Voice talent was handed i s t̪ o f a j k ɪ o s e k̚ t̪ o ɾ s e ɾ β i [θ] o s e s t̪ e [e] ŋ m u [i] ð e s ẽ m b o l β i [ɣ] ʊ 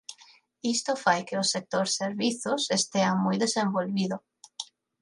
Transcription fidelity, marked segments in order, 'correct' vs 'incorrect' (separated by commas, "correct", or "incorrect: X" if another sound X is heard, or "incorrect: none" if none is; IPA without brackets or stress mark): correct, incorrect: a, incorrect: j, incorrect: ð